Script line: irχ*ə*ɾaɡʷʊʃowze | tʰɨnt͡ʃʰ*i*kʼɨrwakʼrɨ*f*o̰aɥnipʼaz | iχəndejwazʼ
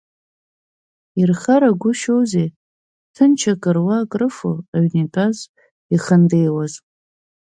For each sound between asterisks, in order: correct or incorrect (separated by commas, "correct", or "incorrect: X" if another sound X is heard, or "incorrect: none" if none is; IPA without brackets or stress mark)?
incorrect: a, incorrect: a, correct